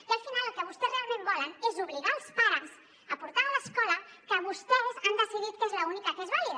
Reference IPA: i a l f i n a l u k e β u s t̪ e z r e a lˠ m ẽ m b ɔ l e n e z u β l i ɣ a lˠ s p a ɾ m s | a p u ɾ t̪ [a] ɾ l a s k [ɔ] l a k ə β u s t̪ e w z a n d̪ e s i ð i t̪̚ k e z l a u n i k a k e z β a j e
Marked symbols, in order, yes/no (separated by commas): yes, yes